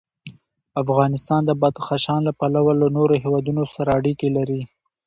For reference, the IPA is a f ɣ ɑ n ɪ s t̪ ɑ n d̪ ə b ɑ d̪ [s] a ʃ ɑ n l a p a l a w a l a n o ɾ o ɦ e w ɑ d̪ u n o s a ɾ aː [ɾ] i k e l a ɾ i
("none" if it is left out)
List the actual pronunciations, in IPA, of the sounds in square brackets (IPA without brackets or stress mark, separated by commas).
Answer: x, ɽ